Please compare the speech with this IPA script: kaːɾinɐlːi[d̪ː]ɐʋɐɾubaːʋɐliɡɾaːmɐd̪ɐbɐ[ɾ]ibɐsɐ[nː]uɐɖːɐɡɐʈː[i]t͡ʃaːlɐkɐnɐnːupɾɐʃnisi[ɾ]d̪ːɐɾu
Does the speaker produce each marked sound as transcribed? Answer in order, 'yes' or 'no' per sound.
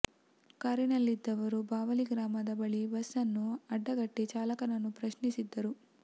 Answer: yes, no, yes, yes, no

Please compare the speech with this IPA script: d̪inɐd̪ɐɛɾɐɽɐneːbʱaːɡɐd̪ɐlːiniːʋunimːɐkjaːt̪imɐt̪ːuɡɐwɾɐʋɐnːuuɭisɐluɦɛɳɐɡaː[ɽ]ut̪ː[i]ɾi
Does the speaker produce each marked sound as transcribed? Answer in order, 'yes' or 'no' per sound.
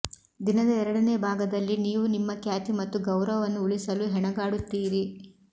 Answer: yes, no

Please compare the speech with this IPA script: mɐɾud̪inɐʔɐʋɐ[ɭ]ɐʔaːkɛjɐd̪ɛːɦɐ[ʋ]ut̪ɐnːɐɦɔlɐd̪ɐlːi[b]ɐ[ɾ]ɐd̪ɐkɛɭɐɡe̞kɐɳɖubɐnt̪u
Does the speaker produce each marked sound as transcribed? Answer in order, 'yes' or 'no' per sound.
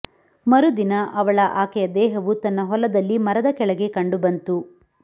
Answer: yes, yes, no, yes

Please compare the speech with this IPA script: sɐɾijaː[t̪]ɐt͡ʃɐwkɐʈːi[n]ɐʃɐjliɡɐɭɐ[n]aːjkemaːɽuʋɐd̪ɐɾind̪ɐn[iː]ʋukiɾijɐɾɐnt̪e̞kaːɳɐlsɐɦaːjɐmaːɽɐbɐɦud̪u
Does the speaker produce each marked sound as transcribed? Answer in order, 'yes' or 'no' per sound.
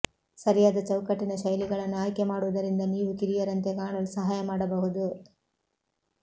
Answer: no, yes, no, yes

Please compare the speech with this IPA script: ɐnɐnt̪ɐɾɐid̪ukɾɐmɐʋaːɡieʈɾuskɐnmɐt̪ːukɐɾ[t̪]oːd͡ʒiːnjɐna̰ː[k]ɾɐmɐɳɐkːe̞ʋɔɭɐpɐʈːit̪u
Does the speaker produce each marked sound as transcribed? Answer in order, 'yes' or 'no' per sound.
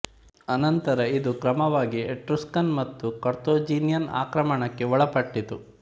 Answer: yes, yes

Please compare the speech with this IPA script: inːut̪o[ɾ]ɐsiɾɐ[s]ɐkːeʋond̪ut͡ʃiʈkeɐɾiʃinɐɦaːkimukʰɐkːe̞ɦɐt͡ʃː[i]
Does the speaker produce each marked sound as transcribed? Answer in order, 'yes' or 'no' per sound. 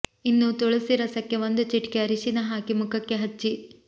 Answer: no, yes, yes

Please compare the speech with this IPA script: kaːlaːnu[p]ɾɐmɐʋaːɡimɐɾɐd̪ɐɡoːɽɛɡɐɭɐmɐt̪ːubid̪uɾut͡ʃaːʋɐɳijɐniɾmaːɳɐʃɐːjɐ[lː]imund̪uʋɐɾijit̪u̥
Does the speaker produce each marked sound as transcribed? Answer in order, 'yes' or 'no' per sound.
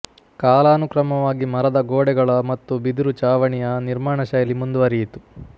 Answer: no, no

